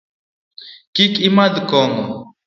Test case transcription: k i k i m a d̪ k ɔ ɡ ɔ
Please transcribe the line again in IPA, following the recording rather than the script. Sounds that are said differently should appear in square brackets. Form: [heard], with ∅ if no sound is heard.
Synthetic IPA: k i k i m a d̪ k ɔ [ŋ] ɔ